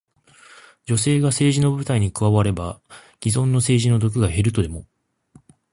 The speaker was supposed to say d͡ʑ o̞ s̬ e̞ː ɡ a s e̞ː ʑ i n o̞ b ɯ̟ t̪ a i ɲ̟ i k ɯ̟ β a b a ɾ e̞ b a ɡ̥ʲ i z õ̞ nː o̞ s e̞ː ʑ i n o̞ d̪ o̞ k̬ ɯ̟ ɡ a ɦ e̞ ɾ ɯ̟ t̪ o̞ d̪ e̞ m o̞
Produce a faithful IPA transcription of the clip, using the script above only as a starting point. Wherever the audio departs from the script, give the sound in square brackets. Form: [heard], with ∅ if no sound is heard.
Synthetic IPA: d͡ʑ o̞ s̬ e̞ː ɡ a s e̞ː ʑ i n o̞ b ɯ̟ t̪ a i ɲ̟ i k ɯ̟ β a [β] a ɾ e̞ b a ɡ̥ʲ i z õ̞ nː o̞ s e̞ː ʑ i n o̞ d̪ o̞ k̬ ɯ̟ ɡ a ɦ e̞ ɾ ɯ̟ t̪ o̞ d̪ e̞ m o̞